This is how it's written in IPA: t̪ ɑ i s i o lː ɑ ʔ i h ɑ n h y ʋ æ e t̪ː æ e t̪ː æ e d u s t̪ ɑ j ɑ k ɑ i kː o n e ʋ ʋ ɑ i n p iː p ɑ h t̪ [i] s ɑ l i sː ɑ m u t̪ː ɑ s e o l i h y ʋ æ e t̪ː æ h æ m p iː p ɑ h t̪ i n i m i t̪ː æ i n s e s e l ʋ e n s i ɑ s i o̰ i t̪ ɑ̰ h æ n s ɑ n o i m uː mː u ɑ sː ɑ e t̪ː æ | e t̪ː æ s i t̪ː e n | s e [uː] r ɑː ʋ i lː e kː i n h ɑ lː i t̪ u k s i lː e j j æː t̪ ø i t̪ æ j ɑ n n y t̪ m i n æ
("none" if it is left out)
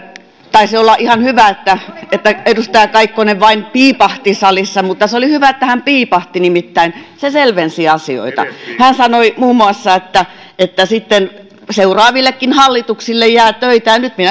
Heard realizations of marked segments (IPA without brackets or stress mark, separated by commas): i, u